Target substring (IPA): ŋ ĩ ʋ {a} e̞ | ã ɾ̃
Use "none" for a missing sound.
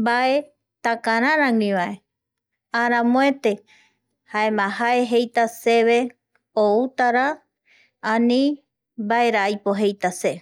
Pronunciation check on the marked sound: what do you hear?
a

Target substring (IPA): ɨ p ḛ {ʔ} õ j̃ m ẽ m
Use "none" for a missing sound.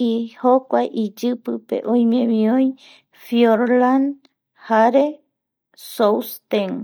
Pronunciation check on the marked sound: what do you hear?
ʔ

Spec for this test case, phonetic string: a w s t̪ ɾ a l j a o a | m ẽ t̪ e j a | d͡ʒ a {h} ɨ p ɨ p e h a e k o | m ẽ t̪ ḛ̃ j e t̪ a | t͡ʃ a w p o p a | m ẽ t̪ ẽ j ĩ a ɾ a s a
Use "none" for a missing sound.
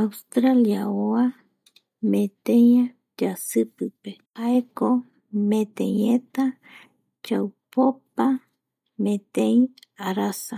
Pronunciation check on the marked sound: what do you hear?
s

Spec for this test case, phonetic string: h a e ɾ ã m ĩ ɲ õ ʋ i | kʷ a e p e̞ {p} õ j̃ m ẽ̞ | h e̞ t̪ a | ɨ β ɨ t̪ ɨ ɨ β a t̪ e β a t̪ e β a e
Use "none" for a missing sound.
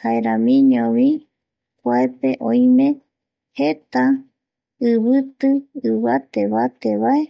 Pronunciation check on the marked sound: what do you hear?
ʔ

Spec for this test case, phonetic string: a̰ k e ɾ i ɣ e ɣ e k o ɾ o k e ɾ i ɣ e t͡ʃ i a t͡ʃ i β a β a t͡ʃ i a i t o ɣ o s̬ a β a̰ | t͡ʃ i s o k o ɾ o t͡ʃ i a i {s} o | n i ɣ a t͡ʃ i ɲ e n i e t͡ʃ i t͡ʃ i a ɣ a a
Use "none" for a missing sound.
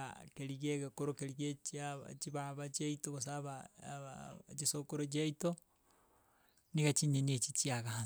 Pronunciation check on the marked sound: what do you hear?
t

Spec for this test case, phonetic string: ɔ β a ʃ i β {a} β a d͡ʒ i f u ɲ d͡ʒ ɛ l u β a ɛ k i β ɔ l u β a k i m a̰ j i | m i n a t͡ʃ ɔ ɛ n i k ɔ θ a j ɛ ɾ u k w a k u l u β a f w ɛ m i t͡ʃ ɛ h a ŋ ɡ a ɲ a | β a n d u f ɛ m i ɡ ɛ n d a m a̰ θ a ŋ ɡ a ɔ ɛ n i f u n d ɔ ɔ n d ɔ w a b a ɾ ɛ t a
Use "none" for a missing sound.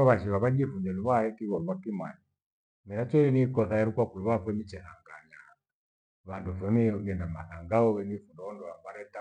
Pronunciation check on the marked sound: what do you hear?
a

